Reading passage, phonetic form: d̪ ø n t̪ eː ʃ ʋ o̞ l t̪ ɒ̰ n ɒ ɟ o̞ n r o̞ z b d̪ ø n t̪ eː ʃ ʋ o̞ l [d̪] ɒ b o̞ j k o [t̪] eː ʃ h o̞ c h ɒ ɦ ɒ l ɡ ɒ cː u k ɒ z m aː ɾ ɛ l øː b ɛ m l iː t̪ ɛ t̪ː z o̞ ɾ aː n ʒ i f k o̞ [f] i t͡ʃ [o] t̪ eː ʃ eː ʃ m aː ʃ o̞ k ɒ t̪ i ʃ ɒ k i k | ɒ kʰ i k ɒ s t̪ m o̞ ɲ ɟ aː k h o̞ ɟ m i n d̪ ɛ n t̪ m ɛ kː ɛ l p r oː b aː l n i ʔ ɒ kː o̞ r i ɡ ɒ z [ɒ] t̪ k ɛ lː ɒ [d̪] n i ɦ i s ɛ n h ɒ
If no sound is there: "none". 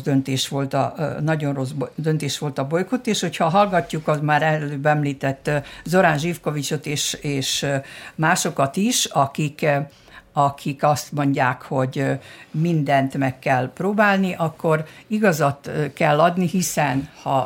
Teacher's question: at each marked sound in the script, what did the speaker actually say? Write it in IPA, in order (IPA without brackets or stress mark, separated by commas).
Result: t̪, t̪, v, o, ɒ, d̪